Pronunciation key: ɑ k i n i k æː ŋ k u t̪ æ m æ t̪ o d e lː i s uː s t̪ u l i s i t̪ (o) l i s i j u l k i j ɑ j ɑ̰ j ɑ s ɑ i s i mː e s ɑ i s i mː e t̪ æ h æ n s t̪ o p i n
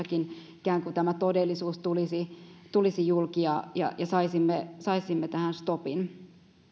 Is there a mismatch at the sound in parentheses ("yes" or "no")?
yes